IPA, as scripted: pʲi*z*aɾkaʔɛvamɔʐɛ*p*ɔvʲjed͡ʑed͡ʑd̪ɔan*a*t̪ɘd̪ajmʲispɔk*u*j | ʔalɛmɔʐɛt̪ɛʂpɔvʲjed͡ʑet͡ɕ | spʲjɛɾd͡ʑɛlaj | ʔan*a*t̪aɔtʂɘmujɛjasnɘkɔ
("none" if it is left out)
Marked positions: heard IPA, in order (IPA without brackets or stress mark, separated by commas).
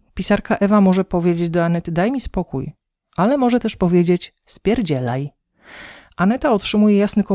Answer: s, p, ɛ, u, ɛ